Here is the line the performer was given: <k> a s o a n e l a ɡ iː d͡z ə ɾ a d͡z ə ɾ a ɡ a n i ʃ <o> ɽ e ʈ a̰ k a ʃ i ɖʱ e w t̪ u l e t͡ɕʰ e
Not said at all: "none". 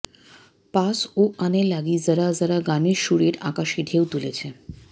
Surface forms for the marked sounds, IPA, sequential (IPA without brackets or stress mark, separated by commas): p, u